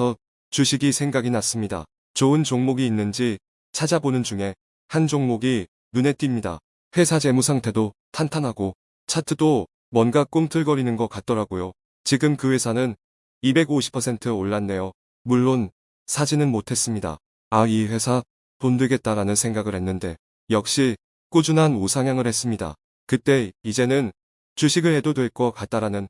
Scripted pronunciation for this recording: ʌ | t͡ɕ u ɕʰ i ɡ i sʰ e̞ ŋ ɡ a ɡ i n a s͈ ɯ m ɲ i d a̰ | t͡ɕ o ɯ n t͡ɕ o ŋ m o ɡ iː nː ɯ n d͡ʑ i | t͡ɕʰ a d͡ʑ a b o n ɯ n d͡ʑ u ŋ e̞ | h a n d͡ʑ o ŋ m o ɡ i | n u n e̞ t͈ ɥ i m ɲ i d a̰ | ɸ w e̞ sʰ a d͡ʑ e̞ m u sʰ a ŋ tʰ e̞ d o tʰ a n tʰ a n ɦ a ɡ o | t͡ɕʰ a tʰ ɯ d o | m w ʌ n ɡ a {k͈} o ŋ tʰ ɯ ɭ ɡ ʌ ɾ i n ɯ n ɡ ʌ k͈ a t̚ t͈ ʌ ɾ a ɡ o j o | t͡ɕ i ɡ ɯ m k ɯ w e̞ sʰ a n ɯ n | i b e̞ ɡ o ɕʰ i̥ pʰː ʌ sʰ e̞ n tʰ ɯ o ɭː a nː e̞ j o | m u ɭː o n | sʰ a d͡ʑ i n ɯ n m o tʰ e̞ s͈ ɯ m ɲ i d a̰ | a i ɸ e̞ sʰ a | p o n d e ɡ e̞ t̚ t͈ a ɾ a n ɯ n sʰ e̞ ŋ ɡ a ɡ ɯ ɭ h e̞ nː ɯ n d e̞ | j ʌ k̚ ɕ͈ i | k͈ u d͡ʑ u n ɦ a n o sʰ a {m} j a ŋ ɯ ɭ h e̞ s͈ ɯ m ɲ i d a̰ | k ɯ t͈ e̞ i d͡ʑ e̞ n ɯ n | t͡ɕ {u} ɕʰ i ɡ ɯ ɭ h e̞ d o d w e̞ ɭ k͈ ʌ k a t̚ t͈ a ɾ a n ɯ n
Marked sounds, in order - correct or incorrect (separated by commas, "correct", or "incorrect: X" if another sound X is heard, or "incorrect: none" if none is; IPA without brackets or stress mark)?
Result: correct, incorrect: ŋ, correct